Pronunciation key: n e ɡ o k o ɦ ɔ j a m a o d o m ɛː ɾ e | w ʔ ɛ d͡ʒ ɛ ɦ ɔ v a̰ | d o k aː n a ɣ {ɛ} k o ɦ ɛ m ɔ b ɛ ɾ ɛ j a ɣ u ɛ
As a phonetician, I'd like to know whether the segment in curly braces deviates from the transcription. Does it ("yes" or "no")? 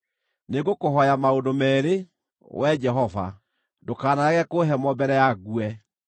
no